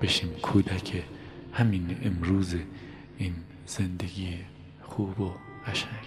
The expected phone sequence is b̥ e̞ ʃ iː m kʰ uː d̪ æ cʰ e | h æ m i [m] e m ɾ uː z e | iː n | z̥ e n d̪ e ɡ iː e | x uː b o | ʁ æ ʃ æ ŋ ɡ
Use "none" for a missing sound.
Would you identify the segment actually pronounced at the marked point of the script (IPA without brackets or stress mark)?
n